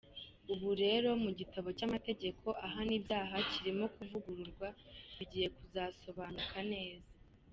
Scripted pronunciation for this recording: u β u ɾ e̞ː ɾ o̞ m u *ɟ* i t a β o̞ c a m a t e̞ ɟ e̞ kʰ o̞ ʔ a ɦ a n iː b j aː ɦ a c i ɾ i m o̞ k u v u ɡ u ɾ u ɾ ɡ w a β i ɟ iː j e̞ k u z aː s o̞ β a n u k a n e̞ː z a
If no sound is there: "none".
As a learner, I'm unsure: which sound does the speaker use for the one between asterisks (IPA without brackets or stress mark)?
ɟ